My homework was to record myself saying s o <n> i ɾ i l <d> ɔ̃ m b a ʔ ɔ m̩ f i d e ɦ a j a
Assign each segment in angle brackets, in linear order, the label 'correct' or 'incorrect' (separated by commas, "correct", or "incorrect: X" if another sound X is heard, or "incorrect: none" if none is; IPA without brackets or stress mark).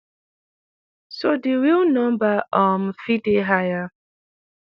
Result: incorrect: d, incorrect: n